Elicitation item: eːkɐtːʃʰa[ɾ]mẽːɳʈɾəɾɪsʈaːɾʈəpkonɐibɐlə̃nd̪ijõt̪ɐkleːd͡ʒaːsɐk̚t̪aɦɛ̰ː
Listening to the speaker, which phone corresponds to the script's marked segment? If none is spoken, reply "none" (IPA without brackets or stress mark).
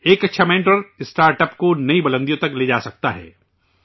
none